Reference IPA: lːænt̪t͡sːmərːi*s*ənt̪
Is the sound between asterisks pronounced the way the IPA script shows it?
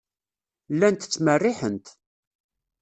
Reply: no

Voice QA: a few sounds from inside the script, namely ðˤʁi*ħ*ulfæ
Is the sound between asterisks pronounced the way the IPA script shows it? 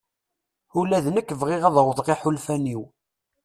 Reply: yes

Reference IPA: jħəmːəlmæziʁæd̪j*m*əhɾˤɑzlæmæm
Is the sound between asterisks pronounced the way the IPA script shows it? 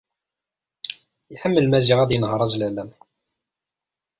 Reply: no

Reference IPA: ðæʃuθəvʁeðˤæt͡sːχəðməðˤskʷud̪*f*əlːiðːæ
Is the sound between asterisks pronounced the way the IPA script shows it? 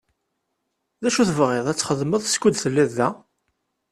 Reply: no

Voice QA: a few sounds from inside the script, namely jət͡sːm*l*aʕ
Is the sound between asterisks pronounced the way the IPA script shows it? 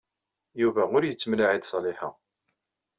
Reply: yes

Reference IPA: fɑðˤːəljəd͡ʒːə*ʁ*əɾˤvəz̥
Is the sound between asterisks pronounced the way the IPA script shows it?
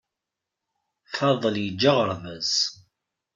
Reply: yes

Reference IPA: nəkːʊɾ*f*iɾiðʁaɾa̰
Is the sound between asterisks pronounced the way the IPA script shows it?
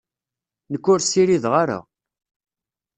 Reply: no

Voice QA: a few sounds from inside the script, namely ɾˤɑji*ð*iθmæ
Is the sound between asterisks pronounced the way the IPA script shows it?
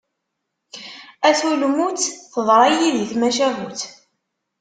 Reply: yes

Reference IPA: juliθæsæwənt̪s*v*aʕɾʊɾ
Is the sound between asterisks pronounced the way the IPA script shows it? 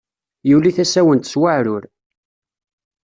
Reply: no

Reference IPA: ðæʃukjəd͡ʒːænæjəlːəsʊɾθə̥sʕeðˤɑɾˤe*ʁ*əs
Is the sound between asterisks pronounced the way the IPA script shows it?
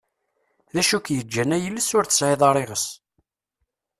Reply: yes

